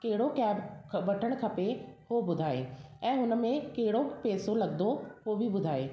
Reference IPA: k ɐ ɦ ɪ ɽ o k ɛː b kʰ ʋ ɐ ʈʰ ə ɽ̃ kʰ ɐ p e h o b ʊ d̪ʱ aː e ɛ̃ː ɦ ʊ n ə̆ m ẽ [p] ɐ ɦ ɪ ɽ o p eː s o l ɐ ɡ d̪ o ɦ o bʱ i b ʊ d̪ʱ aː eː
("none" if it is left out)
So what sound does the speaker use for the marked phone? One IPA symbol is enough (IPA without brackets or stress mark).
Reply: k